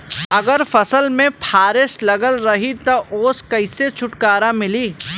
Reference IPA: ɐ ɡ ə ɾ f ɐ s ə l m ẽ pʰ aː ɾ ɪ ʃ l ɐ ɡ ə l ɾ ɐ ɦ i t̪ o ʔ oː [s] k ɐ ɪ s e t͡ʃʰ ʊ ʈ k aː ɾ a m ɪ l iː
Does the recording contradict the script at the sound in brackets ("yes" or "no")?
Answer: no